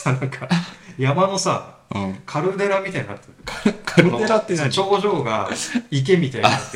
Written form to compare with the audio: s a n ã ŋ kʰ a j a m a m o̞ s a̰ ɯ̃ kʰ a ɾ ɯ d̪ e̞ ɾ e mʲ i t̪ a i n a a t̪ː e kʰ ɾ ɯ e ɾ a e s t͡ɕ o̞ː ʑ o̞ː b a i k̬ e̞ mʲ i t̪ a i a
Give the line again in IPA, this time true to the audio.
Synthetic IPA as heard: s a n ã ŋ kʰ a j a m a n o̞ s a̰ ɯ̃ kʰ a ɾ ɯ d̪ e̞ ɾ a mʲ i t̪ a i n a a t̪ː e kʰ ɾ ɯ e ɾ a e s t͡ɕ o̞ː ʑ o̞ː ɡ a i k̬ e̞ mʲ i t̪ a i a